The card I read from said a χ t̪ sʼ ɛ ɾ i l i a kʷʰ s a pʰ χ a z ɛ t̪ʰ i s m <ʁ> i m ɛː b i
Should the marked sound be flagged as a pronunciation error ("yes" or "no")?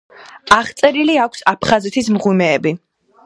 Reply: no